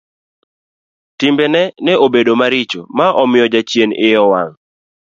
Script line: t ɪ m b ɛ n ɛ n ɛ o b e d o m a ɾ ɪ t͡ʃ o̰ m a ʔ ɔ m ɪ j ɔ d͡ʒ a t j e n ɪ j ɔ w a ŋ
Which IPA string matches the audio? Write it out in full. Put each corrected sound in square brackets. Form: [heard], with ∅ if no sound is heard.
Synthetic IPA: t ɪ m b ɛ n ɛ n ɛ o b e d o m a ɾ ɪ t͡ʃ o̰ m a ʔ ɔ m ɪ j ɔ d͡ʒ a [t͡ʃ] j e n ɪ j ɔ w a ŋ